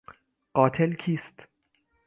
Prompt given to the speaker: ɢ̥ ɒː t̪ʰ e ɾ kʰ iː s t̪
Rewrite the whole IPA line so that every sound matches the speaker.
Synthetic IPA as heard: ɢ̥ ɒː t̪ʰ e l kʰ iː s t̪